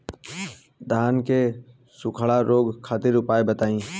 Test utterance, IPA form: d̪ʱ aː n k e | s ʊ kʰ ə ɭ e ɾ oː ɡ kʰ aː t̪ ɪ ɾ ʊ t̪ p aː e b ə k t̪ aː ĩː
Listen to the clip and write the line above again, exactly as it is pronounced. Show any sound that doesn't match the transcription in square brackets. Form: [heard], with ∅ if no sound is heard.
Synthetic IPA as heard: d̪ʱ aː n k e | s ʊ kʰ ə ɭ [a] ɾ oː ɡ kʰ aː t̪ ɪ ɾ ʊ [∅] p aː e b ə [∅] t̪ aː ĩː